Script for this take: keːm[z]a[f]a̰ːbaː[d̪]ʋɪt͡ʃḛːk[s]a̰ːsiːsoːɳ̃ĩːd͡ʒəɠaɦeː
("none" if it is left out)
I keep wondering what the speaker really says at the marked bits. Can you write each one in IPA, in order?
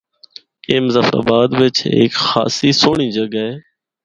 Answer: z, f, d̪, x

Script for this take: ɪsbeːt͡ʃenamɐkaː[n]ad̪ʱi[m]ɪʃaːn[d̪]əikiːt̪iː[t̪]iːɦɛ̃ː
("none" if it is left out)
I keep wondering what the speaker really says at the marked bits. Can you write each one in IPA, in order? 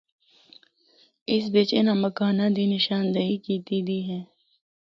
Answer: n, n, d̪, d̪

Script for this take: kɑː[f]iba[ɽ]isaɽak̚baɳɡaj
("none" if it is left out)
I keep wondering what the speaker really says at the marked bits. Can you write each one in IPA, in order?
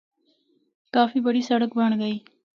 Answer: f, ɽ

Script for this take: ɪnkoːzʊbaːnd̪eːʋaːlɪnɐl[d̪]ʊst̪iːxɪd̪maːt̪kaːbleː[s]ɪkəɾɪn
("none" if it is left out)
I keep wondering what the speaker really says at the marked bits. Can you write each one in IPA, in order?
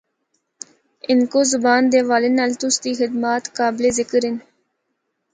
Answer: t̪, z

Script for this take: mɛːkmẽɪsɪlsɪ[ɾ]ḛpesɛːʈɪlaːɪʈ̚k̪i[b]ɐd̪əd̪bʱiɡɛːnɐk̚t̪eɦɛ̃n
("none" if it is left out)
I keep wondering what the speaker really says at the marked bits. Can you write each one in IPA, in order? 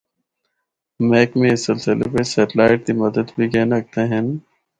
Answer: l, m

